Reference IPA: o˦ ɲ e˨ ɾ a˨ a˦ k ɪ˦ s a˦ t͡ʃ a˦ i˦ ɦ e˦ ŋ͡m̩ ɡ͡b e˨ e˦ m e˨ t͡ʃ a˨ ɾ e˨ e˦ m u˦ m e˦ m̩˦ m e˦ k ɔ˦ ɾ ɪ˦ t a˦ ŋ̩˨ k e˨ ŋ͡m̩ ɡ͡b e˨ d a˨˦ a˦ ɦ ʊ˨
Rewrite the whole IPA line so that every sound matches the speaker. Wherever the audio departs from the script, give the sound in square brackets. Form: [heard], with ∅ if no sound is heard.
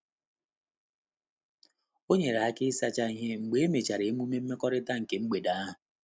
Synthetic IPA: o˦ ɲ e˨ ɾ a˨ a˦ k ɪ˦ s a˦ t͡ʃ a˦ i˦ ɦ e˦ ŋ͡m̩ ɡ͡b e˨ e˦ m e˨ t͡ʃ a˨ ɾ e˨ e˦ m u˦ m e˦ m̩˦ m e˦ k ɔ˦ ɾ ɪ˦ t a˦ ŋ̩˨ k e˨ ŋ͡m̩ ɡ͡b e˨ d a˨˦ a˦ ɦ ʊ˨